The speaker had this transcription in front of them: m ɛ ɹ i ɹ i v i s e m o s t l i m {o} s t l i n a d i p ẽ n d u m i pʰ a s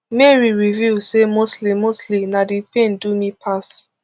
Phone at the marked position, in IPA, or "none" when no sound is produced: o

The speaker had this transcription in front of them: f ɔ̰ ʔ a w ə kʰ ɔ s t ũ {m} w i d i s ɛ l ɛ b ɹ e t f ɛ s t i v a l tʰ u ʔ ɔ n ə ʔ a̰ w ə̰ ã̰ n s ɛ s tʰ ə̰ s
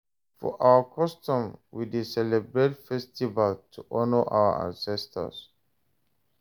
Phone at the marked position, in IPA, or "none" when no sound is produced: m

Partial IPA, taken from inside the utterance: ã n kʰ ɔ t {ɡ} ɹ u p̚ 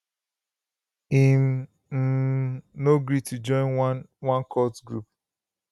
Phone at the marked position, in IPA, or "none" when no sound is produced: ɡ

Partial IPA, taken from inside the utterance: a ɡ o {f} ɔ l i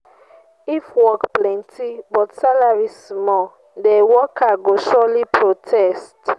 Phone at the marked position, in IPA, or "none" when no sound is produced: ʃ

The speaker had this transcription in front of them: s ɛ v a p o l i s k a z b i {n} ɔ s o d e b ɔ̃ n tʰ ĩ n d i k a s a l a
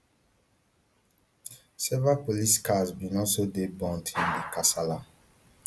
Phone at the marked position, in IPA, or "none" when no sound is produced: n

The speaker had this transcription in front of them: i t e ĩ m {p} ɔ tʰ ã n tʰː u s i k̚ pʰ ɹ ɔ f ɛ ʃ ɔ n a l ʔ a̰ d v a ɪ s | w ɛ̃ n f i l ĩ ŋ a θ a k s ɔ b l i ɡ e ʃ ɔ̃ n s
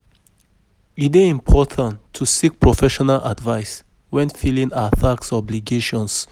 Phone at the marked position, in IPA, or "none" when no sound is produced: pʰ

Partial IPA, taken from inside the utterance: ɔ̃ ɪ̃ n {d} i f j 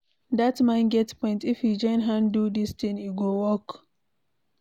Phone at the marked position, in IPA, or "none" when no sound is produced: t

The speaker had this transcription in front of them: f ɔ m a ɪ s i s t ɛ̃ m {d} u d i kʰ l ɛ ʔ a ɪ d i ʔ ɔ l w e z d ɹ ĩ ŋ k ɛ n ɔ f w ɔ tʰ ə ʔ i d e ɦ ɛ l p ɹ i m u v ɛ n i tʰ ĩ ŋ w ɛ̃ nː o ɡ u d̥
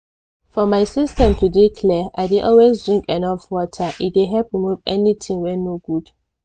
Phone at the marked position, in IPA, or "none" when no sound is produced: t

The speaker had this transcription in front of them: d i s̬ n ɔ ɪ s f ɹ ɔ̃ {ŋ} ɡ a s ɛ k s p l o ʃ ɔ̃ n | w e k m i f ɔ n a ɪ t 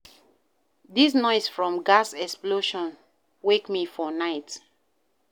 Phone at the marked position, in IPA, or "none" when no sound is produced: m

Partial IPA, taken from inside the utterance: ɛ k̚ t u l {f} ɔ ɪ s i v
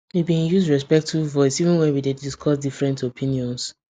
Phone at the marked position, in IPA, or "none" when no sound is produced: v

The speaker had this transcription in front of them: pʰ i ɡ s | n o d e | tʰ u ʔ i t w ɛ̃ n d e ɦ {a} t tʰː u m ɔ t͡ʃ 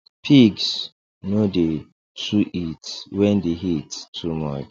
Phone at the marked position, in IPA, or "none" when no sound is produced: i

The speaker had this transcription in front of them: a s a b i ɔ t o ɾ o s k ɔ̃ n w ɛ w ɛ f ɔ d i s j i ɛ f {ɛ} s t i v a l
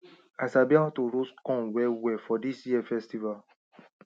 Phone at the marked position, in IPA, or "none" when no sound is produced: ɛ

